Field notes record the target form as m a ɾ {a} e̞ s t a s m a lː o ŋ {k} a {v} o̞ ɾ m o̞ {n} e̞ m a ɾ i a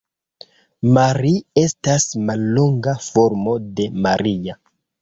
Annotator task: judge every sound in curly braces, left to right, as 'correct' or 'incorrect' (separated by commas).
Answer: incorrect, incorrect, incorrect, incorrect